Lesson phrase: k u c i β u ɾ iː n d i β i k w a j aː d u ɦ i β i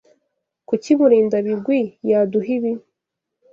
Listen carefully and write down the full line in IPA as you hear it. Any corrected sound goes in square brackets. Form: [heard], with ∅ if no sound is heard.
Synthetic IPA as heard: k u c i β u ɾ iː n d [a] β i [ɡ] w [i] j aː d u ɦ i β i